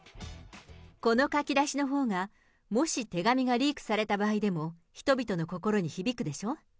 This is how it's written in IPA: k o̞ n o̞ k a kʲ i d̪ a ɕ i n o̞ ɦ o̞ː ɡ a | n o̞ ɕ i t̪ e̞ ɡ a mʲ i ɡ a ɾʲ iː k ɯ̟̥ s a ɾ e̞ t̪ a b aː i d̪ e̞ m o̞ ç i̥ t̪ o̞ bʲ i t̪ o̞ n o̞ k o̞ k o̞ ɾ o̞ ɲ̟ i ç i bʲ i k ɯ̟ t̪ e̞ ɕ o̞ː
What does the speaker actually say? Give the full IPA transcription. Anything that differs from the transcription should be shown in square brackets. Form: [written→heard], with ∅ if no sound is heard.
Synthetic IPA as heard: k o̞ n o̞ k a kʲ i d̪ a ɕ i n o̞ ɦ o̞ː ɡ a | [n→m] o̞ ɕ i t̪ e̞ ɡ a mʲ i ɡ a ɾʲ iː k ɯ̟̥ s a ɾ e̞ t̪ a b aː i d̪ e̞ m o̞ ç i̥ t̪ o̞ bʲ i t̪ o̞ n o̞ k o̞ k o̞ ɾ o̞ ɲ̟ i ç i bʲ i k ɯ̟ [t̪→d̪] e̞ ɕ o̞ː